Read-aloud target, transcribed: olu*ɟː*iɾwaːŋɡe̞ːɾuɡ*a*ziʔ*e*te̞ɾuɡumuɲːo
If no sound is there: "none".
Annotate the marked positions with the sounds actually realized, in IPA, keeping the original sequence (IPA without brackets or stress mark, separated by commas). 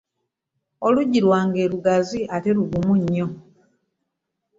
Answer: ɟ, a, a